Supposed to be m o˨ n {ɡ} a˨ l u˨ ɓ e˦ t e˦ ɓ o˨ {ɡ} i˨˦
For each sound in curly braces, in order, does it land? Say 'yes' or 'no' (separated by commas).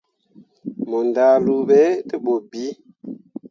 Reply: no, no